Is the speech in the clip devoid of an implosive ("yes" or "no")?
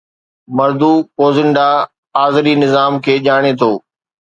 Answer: no